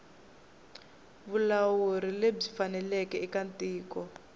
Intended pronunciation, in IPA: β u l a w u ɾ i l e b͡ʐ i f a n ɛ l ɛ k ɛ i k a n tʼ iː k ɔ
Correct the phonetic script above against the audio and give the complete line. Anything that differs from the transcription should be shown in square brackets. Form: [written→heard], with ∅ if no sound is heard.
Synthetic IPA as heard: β u l a w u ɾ i l e b͡ʐ i f a n ɛ l ɛ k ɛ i k a n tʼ iː k ɔ